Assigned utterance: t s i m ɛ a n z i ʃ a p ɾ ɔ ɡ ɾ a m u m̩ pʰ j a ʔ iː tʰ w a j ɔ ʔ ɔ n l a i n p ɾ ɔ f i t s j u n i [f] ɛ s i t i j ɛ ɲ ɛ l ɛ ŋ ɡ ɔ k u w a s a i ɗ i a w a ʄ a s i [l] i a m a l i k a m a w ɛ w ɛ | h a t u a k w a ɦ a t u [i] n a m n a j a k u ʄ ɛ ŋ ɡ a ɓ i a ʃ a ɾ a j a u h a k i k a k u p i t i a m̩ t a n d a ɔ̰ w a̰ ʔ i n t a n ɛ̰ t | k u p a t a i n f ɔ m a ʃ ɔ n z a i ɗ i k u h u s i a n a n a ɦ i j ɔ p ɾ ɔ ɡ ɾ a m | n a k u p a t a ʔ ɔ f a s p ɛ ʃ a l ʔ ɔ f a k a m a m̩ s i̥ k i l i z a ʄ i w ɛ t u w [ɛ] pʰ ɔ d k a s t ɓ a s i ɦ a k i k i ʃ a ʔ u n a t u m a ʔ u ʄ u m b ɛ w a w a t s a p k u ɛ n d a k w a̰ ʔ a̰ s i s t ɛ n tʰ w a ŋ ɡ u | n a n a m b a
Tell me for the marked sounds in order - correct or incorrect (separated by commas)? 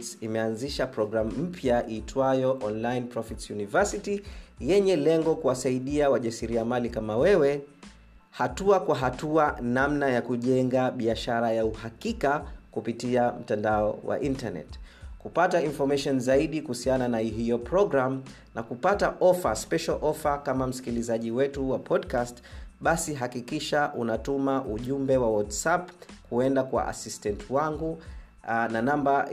incorrect, incorrect, incorrect, incorrect